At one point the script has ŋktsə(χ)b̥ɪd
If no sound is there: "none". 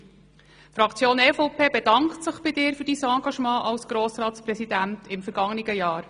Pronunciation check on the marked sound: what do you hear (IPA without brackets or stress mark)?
χ